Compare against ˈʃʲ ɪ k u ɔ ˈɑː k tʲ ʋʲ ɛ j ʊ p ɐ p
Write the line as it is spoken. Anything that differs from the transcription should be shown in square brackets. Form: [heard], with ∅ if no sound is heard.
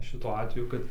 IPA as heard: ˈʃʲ ɪ [t] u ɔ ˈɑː [∅] tʲ ʋʲ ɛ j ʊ [k] ɐ [t]